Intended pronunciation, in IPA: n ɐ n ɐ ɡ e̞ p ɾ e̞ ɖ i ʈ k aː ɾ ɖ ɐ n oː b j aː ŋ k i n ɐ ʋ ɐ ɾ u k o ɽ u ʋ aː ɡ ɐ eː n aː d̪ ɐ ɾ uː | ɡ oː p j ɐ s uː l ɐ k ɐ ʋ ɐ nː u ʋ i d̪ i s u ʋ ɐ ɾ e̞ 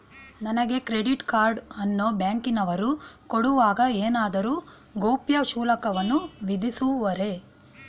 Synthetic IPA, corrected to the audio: n ɐ n ɐ ɡ e̞ k ɾ e̞ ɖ i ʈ k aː ɾ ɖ ɐ nː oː b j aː ŋ k i n ɐ ʋ ɐ ɾ u k o ɽ u ʋ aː ɡ ɐ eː n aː d̪ ɐ ɾ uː | ɡ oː p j ɐ ʃ uː l ɐ k ɐ ʋ ɐ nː u ʋ i d̪ i s u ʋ ɐ ɾ e̞